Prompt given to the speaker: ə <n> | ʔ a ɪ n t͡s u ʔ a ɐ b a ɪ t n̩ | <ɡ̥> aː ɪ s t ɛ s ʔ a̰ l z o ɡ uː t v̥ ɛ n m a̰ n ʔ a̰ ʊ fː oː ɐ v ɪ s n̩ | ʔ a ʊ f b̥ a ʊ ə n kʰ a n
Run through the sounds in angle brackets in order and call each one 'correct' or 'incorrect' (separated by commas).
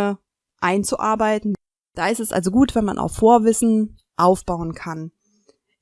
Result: incorrect, incorrect